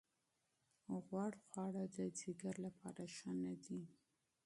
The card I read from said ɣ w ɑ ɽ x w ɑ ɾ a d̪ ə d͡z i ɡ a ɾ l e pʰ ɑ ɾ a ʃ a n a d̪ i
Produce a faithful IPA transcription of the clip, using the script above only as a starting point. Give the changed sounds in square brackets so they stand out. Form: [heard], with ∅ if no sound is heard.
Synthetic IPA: ɣ w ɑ ɽ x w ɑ [ɽ] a d̪ ə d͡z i ɡ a ɾ l [a] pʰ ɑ ɾ a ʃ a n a d̪ i